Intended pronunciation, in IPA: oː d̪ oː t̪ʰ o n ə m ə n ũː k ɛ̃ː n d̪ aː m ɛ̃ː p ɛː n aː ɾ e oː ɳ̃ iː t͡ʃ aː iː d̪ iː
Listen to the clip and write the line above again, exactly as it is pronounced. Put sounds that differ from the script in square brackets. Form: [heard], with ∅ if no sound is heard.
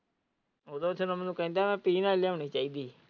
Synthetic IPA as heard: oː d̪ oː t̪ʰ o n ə m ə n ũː k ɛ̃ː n d̪ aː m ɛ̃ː p [iː] n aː [l] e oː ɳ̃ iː t͡ʃ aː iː d̪ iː